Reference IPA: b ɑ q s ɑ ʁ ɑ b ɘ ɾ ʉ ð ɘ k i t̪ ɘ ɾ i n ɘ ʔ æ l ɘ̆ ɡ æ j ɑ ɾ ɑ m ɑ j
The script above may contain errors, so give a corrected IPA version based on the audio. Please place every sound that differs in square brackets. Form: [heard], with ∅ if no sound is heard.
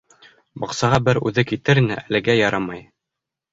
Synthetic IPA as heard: b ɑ q s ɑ ʁ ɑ b ɘ ɾ ʉ ð ɘ k i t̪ ɘ ɾ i n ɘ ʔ æ l ɘ̆ ɡ æ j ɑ ɾ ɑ m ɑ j